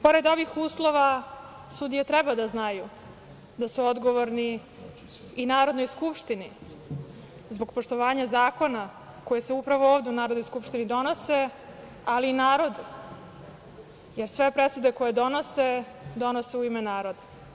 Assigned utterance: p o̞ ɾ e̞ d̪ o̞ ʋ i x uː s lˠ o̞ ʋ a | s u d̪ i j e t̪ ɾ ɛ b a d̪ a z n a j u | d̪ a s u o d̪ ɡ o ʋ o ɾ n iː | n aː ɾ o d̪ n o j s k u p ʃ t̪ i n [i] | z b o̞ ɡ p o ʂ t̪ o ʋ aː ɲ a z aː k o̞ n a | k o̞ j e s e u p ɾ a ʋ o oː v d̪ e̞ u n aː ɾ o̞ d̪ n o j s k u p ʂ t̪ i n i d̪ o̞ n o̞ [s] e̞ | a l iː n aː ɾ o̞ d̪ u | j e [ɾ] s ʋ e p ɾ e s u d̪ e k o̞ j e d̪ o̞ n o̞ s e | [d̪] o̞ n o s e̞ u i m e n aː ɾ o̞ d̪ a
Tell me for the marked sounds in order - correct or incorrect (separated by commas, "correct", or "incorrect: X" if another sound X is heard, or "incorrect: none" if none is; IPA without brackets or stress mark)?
correct, correct, correct, correct